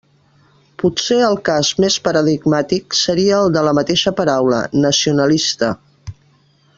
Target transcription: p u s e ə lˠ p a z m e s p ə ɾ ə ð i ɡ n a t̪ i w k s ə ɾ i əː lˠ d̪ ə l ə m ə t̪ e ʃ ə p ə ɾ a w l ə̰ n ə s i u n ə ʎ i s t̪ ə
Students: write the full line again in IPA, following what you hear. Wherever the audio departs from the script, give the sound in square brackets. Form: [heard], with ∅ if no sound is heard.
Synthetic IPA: p u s e ə lˠ [k] a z m e s p ə ɾ ə ð i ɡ [m] a t̪ i [∅] k s ə ɾ i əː lˠ d̪ ə l ə m ə t̪ e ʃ ə p ə ɾ a w l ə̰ n ə s i u n ə [l] i s t̪ ə